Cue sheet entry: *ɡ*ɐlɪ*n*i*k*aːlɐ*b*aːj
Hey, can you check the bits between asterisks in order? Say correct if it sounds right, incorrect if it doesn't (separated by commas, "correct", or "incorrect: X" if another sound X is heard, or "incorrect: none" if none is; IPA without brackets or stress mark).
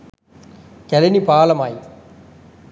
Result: incorrect: k, correct, incorrect: p, incorrect: m